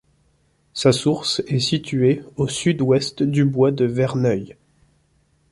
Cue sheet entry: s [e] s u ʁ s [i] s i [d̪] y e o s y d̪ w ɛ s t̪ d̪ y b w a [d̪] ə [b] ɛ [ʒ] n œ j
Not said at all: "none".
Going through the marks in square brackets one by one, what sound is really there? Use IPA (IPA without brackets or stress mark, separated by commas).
a, ɛ, t̪, d̪, v, ʁ